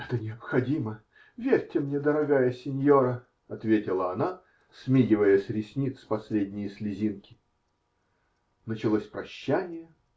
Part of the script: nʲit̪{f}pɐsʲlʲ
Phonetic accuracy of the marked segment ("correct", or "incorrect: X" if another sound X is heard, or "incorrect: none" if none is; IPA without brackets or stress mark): incorrect: s